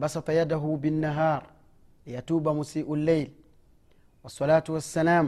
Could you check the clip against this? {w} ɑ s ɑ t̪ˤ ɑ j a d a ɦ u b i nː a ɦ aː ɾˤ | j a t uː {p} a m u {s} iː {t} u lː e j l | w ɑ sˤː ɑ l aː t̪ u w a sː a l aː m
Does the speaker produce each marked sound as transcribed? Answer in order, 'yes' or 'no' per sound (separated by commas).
no, no, yes, no